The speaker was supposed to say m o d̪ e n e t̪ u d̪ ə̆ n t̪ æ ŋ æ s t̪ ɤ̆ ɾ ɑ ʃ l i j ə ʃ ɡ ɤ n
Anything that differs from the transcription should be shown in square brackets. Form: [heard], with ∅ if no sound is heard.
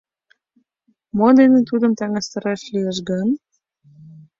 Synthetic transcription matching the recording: m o d̪ e n e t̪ u d̪ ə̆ [m] t̪ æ ŋ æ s t̪ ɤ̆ ɾ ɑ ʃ l i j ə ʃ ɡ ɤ n